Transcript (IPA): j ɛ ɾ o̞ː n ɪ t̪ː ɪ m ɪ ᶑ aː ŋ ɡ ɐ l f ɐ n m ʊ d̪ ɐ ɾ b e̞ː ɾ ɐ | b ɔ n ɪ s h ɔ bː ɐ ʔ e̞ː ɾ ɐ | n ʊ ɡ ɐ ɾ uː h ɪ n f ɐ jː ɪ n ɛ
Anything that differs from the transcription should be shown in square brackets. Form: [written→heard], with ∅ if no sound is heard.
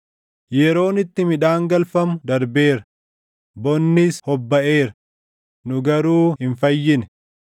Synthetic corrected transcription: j ɛ ɾ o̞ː n ɪ t̪ː ɪ m ɪ ᶑ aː ŋ ɡ ɐ l f ɐ [n→∅] m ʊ d̪ ɐ ɾ b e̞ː ɾ ɐ | b ɔ [n→nː] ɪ s h ɔ bː ɐ ʔ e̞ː ɾ ɐ | n ʊ ɡ ɐ ɾ uː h ɪ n f ɐ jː ɪ n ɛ